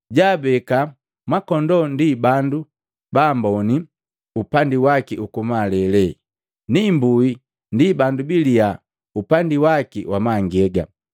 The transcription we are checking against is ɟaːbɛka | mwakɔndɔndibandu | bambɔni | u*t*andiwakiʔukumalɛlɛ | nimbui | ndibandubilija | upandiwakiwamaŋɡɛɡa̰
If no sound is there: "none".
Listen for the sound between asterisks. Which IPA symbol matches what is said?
p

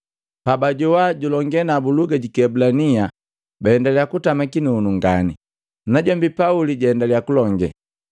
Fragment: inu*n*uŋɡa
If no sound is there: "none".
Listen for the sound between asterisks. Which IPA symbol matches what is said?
n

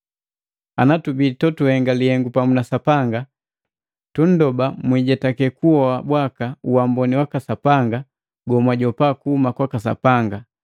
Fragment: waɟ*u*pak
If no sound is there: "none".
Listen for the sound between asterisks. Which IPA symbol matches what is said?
ɔ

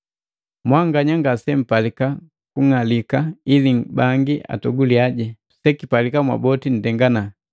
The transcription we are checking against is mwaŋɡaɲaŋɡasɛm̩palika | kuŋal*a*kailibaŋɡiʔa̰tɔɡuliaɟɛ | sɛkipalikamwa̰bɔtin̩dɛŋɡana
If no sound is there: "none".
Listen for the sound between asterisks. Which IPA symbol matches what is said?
i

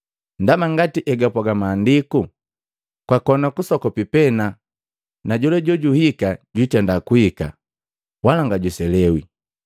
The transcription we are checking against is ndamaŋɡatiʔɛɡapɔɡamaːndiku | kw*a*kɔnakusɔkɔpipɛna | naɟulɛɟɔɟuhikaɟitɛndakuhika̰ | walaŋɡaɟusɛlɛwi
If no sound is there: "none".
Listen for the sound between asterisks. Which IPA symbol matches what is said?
a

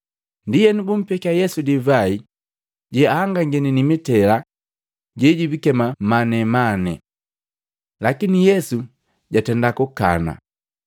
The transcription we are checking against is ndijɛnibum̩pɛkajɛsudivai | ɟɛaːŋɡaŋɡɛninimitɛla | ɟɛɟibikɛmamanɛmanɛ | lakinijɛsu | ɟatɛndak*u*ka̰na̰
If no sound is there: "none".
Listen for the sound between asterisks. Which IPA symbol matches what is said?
u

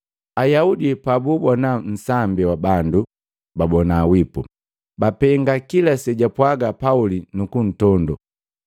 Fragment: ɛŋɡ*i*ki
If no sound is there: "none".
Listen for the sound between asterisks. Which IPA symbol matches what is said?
a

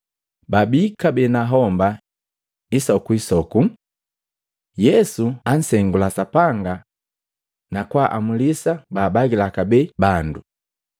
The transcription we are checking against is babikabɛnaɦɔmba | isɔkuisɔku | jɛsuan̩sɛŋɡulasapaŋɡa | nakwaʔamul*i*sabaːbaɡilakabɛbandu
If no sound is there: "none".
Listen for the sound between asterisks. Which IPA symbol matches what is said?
i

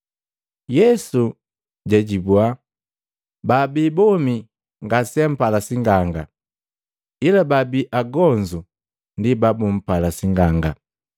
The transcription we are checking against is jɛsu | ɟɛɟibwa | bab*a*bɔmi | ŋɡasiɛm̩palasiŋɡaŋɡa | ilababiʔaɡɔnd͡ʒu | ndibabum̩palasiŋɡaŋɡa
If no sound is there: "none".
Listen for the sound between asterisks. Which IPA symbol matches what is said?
i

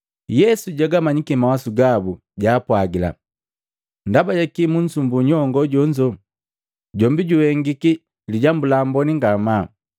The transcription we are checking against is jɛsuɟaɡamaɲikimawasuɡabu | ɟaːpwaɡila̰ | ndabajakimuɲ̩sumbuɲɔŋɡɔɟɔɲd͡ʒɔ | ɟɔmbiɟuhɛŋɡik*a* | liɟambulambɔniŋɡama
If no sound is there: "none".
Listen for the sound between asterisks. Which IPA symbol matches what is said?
i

